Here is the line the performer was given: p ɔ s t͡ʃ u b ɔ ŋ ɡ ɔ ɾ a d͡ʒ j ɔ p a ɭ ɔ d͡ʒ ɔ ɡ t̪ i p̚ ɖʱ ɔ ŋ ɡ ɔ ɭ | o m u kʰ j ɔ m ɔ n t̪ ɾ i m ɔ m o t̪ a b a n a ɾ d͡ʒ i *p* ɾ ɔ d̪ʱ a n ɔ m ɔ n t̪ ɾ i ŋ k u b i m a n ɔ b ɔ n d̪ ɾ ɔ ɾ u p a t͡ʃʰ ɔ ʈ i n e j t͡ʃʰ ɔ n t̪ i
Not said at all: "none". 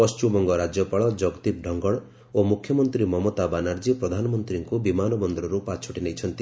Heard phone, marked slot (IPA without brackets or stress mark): p